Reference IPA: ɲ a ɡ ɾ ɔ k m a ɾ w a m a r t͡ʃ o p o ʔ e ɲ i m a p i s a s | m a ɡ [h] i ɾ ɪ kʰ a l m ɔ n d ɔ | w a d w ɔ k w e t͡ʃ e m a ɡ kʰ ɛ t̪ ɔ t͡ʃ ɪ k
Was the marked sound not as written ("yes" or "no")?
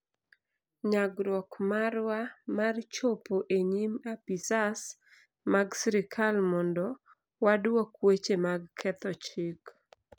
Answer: yes